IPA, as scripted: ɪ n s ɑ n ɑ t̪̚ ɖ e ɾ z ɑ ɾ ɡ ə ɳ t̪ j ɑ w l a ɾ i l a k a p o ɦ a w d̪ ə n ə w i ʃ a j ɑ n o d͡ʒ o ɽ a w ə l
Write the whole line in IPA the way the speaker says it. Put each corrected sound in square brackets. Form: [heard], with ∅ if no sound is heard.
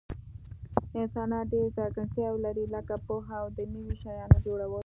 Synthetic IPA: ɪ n s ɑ n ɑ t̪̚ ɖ e ɾ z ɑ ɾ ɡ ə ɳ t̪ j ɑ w l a ɾ i l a k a p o ɦ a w d̪ ə n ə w i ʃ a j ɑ n o d͡ʒ o ɽ a w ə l

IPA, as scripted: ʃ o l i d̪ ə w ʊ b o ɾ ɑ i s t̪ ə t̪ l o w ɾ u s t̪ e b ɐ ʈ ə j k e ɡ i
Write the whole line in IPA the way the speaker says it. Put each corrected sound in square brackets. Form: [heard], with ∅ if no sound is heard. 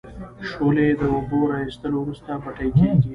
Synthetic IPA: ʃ o l [e] d̪ ə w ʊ b o ɾ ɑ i s t̪ ə [∅] l o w ɾ u s t̪ [a] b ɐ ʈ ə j k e ɡ i

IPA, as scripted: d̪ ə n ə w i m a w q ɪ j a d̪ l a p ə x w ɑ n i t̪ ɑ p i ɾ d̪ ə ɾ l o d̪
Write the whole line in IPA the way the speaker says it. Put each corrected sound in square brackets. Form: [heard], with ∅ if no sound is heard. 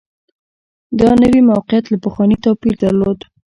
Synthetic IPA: d̪ [ɑ] n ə w i m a w q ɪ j a [t̪] l a p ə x w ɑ n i t̪ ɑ p i ɾ d̪ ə ɾ l o d̪

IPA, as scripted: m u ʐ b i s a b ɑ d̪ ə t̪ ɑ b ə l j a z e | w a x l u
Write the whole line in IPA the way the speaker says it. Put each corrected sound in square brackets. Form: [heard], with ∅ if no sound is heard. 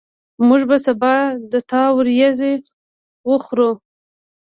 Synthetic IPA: m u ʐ b [a] s a b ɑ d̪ ə t̪ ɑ [w] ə [ɾ] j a z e | w [ə] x [ɾ] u

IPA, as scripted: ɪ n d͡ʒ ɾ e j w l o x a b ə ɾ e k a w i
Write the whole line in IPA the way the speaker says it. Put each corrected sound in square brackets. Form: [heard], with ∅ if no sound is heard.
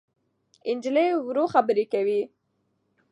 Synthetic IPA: ɪ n d͡ʒ [l] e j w [ɾ] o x a b ə ɾ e k a w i

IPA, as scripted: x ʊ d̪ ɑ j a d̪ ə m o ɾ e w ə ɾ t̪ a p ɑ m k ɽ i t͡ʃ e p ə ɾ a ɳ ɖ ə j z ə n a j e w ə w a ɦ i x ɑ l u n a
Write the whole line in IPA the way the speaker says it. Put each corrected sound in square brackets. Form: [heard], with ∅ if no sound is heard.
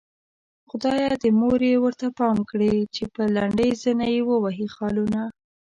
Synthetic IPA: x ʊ d̪ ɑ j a d̪ ə m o ɾ e w ə ɾ t̪ a p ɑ m k ɽ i t͡ʃ e p ə [l] a ɳ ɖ ə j z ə n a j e w ə w a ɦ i x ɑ l u n a

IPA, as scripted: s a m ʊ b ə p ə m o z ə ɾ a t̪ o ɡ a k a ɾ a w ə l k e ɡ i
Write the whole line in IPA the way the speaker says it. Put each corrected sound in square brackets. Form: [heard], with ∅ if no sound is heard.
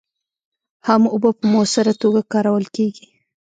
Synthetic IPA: [h] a m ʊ b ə p ə m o [s] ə ɾ a t̪ o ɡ a k [ɑ] ɾ a w ə l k e ɡ i

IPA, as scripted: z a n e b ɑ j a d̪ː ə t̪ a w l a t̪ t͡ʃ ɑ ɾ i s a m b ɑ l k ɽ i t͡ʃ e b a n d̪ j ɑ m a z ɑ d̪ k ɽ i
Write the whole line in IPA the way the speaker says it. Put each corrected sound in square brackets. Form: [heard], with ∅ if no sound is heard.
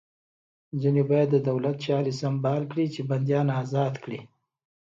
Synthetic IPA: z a n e b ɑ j a d̪ː ə [d̪] a w l a t̪ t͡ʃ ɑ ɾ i s a m b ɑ l k ɽ i t͡ʃ e b a n d̪ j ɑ [n] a z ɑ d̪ k ɽ i

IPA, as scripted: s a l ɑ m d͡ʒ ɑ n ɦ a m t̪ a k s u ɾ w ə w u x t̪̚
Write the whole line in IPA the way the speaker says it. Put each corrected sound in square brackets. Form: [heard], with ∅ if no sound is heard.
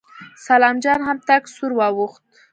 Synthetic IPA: s a l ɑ m d͡ʒ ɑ n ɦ a m t̪ a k s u ɾ w [ɑ] w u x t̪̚

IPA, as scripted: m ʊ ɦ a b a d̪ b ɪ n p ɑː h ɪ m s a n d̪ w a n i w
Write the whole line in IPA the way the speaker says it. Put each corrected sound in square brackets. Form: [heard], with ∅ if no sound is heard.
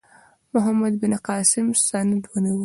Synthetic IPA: m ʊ ɦ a [m] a d̪ b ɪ n [q] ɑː [s] ɪ m s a n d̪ w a n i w

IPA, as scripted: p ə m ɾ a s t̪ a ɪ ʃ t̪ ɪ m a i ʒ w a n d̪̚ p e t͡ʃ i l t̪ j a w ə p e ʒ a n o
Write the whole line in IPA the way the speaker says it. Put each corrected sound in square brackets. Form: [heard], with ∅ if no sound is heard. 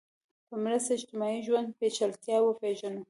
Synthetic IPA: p ə m ɾ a s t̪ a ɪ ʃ t̪ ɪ m [ɑ] i ʒ w a n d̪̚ p e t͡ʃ [a] l t̪ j [ɑ] w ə p e ʒ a n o

